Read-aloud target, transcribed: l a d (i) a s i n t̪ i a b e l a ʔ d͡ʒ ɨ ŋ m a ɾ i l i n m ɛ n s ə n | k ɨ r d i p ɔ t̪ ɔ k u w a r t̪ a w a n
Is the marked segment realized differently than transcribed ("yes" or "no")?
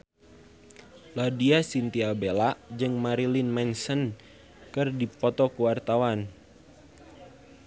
no